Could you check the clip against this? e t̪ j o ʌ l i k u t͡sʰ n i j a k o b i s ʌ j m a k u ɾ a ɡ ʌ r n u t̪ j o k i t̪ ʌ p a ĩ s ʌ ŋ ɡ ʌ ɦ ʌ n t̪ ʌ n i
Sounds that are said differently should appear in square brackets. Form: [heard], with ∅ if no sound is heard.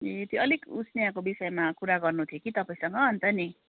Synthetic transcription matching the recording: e t̪ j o ʌ l i k u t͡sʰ n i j a k o b i s ʌ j m a k u ɾ a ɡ ʌ r n u [t̪ʰ] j o k i t̪ ʌ p a ĩ s ʌ ŋ ɡ ʌ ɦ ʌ n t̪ ʌ n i